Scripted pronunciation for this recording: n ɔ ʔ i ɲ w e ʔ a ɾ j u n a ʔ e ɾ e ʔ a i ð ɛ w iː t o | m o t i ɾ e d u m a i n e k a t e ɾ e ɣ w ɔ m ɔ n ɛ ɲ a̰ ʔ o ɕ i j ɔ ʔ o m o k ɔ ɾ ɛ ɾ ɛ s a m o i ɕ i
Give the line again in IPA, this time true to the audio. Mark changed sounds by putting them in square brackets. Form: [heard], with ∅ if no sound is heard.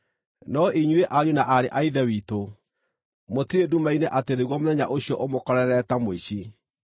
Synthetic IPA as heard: n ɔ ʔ i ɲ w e ʔ a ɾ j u n a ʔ [a] ɾ e ʔ a i ð ɛ w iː t o | m o t i ɾ e d u m a i n e [ʔ] a t e ɾ e ɣ w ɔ m [o] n ɛ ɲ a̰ ʔ o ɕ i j ɔ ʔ o m o k ɔ ɾ ɛ ɾ ɛ [t] a m o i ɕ i